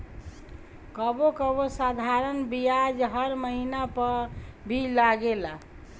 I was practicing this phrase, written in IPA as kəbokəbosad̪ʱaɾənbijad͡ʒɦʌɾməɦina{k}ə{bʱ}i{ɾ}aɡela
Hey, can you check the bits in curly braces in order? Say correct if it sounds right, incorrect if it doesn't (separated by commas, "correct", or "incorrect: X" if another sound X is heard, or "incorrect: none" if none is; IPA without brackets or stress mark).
incorrect: p, correct, incorrect: l